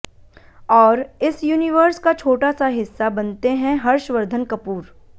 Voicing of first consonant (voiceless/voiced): voiced